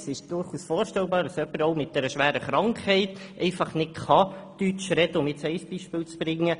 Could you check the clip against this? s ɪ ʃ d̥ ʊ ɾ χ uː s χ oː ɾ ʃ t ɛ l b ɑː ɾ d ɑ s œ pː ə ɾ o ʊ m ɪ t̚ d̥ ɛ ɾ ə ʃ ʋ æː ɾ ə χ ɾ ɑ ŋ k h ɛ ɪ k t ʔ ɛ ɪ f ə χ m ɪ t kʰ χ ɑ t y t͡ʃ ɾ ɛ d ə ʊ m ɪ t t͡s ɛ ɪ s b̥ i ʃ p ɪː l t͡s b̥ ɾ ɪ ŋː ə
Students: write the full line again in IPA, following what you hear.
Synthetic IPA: s ɪ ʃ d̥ ʊ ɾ χ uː s f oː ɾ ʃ t ɛ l b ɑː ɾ d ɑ s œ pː ə ɾ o ʊ m ɪ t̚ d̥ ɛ ɾ ə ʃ ʋ æː ɾ ə χ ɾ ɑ ŋ k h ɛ ɪ t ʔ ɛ ɪ f ɑ χ n ɪ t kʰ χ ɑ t y t͡ʃ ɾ ɛ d ə ʊ m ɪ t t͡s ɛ ɪ s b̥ i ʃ p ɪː l t͡s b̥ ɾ ɪ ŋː ə